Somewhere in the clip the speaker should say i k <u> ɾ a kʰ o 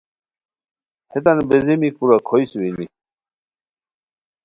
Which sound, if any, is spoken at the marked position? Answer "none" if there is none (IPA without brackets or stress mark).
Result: u